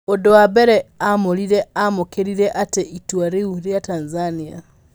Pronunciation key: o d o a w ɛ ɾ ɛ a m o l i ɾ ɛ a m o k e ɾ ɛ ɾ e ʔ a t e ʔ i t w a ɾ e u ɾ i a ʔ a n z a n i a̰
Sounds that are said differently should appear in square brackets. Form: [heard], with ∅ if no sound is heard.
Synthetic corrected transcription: o d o a [b] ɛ ɾ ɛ a m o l i ɾ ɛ a m o k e ɾ [i] ɾ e ʔ a t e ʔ i t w a ɾ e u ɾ [j] a [t] a n z a n i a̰